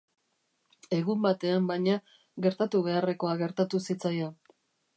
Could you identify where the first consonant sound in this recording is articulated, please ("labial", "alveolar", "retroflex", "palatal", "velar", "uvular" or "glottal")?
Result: velar